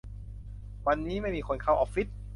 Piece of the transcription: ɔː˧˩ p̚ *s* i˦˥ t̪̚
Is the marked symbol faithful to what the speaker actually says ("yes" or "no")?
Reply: no